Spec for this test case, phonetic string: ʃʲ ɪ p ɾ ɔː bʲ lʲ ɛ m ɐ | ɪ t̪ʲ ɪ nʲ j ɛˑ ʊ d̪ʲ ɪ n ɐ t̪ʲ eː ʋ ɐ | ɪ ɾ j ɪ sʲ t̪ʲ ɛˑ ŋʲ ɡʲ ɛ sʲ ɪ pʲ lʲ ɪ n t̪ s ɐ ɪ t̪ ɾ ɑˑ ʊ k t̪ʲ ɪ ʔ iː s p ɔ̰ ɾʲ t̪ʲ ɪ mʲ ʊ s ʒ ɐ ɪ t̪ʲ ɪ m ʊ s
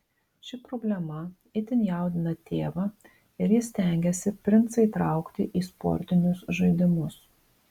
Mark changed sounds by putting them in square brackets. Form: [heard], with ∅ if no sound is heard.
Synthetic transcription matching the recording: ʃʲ ɪ p ɾ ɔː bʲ lʲ ɛ m ɐ | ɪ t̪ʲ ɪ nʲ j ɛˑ ʊ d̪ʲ ɪ n ɐ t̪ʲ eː ʋ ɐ | ɪ ɾ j ɪ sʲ t̪ʲ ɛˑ ŋʲ ɡʲ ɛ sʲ ɪ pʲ [ɾʲ] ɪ n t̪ s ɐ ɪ t̪ ɾ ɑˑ ʊ k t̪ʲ ɪ ʔ iː s p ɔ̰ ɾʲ t̪ʲ ɪ [nʲ] ʊ s ʒ ɐ ɪ [d̪ʲ] ɪ m ʊ s